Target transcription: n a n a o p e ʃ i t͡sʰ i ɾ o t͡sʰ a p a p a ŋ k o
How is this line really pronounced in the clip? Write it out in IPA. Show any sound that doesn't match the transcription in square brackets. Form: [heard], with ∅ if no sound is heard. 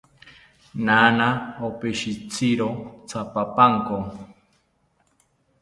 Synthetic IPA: n a n a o p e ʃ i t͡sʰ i ɾ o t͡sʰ a p a p a ŋ k o